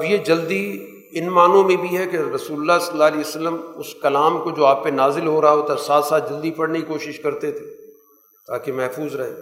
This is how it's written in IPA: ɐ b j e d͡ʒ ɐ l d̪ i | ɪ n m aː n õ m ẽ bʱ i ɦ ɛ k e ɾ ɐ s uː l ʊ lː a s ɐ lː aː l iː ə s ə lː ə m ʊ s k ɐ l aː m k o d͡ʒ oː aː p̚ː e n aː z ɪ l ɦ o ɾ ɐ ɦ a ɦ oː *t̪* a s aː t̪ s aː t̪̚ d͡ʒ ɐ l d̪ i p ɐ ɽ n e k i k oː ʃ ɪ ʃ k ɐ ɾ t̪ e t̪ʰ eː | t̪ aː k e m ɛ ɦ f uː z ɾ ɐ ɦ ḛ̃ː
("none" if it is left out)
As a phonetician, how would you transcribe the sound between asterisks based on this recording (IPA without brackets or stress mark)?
t̪